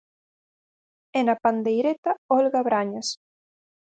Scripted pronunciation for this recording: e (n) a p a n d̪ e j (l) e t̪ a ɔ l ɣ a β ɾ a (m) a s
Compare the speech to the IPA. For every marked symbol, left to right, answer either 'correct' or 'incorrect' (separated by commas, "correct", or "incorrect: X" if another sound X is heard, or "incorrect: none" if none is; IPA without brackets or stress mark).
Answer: correct, incorrect: ɾ, incorrect: ɲ